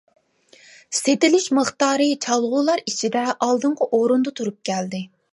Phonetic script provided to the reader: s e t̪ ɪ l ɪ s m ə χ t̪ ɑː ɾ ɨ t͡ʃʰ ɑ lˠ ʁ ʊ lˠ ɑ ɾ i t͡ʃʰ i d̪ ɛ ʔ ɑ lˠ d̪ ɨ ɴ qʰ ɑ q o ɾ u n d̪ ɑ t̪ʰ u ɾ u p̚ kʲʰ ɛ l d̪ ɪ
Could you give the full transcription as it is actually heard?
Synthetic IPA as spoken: s e t̪ ɪ l ɪ ʃ m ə χ t̪ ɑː ɾ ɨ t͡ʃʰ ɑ lˠ ʁ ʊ lˠ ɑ ɾ i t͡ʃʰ i d̪ ɛ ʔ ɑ lˠ d̪ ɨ ɴ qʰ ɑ ʔ o ɾ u n d̪ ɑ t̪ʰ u ɾ u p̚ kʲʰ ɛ l d̪ ɪ